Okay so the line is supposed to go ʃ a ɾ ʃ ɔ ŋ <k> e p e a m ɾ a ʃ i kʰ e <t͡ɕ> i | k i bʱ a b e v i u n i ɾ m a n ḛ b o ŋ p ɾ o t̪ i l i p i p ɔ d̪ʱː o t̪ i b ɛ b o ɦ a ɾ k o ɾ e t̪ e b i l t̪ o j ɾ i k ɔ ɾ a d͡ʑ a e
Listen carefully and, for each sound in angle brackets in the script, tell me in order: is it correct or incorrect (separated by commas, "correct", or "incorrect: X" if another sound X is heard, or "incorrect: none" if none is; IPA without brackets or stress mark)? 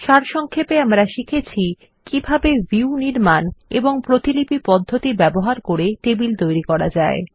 incorrect: kʰ, incorrect: t͡ɕʰ